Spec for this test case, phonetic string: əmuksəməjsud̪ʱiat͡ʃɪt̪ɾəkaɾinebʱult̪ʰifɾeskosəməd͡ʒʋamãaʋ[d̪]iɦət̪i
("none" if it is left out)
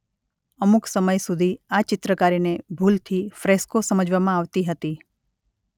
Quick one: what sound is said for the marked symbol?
t̪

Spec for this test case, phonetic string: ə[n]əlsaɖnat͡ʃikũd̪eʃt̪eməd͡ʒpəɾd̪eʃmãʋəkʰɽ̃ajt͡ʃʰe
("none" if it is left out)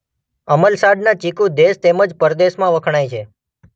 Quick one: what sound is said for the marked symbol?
m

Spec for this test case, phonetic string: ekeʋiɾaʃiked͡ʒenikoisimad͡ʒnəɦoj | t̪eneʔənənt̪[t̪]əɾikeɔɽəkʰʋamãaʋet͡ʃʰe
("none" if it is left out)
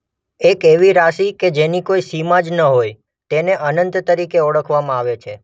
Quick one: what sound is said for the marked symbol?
t̪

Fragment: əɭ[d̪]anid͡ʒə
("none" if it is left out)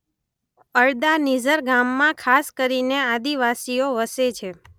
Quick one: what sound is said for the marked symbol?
d̪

